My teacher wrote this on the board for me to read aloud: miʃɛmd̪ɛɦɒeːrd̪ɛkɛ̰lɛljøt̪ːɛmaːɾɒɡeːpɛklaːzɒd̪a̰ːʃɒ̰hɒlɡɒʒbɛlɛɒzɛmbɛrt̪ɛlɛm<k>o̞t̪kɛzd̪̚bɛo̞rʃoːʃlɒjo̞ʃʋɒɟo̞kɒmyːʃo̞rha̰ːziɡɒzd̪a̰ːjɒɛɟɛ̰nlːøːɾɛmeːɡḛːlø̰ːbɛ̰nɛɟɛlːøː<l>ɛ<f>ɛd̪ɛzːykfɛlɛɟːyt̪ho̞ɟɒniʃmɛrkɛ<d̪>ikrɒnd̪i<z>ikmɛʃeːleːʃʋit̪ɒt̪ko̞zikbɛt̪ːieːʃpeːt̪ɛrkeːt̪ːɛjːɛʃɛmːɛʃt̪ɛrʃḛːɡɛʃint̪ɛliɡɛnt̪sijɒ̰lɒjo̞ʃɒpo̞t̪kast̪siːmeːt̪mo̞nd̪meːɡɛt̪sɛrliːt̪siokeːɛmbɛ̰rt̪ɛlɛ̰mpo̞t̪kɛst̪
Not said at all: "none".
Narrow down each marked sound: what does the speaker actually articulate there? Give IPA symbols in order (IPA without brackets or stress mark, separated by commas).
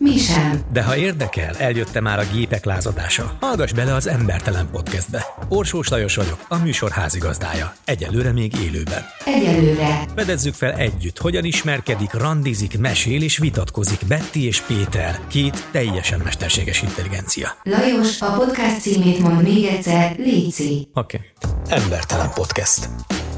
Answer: p, ɾ, f, d̪, z